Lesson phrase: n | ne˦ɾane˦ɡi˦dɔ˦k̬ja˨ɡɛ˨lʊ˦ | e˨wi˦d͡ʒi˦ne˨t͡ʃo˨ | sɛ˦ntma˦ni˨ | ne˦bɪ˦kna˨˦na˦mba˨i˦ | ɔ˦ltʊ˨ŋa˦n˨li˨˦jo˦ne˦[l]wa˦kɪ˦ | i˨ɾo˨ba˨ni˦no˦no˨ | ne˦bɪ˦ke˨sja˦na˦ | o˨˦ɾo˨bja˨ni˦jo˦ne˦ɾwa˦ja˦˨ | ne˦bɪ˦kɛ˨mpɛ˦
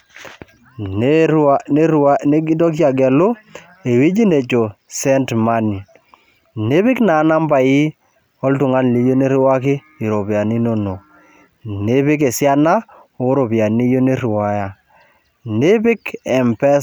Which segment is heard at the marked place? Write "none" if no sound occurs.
ɾ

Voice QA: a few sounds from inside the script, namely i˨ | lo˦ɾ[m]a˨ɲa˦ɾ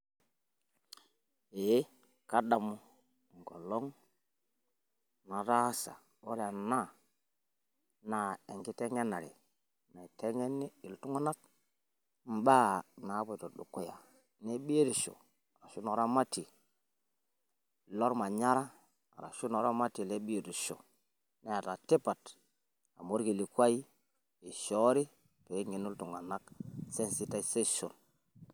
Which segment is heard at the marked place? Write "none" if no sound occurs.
m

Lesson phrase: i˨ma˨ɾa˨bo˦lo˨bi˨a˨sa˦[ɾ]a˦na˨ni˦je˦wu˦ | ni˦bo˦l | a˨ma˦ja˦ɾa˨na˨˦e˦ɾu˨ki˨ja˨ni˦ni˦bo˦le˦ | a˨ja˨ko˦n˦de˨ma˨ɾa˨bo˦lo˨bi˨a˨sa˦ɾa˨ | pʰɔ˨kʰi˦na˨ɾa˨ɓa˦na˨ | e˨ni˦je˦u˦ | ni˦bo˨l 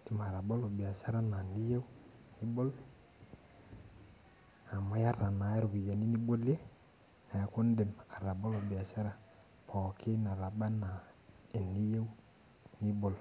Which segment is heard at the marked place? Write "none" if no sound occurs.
ɾ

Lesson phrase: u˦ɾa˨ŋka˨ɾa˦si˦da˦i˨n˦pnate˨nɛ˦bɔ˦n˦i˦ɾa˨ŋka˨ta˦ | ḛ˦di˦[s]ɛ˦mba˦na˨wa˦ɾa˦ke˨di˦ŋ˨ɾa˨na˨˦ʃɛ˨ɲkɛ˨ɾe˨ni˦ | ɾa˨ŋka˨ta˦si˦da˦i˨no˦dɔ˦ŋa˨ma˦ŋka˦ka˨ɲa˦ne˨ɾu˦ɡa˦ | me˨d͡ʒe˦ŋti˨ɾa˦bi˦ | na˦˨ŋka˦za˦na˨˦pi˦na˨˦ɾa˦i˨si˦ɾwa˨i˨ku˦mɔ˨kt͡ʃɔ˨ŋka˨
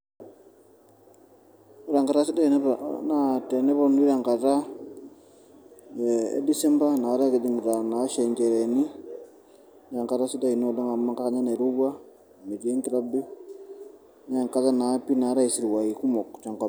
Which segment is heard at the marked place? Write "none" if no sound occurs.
s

